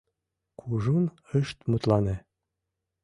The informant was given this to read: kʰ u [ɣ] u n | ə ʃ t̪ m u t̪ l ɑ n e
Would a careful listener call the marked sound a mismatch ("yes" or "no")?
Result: yes